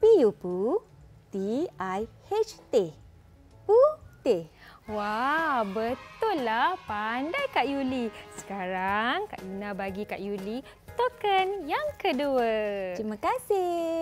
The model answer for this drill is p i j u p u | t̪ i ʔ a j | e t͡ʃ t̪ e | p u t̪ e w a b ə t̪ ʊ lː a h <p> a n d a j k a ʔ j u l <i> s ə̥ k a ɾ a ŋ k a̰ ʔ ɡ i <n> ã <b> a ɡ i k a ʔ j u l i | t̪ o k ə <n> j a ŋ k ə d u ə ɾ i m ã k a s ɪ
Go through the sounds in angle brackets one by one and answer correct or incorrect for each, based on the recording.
correct, correct, correct, correct, correct

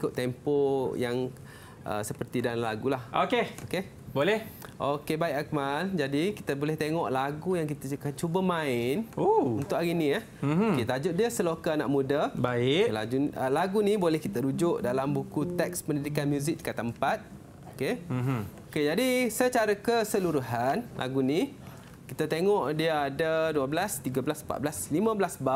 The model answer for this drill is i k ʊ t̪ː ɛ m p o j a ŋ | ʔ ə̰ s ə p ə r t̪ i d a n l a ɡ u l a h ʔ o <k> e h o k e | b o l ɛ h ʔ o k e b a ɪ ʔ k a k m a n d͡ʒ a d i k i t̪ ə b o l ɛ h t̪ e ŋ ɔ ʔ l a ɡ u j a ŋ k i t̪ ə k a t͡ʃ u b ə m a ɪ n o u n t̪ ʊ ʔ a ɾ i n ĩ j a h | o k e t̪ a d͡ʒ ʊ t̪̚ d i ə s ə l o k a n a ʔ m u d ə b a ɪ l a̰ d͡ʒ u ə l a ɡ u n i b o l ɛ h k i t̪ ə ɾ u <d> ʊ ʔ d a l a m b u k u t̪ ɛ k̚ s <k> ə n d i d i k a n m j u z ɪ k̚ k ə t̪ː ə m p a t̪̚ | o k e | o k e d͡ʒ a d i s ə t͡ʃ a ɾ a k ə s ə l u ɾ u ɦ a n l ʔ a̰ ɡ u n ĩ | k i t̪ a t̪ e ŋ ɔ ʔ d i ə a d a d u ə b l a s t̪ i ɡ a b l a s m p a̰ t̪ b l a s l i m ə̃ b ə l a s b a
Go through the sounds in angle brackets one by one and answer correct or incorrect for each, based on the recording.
correct, incorrect: d͡ʒ, incorrect: p

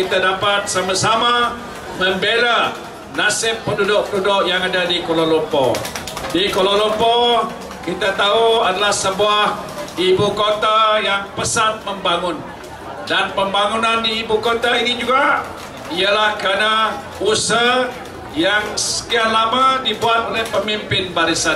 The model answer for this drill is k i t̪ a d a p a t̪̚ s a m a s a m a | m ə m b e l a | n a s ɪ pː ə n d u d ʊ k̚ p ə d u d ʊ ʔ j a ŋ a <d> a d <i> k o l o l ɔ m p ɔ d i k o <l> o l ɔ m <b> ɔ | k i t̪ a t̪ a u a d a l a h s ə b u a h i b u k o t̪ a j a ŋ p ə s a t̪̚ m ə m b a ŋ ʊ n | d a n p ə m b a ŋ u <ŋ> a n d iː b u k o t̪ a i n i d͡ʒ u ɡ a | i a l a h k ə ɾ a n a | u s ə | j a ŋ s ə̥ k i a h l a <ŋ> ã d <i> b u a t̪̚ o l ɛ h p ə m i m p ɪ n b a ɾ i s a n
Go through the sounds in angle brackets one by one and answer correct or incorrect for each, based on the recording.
correct, correct, correct, incorrect: p, incorrect: n, incorrect: m, correct

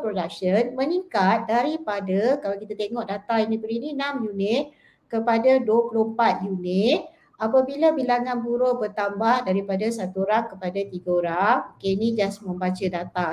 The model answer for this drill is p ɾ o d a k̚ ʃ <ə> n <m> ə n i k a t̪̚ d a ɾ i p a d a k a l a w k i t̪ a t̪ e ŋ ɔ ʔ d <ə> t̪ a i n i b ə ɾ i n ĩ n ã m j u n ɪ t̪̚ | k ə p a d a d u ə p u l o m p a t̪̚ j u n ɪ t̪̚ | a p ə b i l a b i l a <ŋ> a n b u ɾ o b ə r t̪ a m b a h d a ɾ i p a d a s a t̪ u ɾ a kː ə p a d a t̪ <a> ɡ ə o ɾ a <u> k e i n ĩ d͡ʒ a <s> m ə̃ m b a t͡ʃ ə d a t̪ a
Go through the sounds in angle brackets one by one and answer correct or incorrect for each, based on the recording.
correct, correct, incorrect: a, correct, incorrect: i, incorrect: o, correct

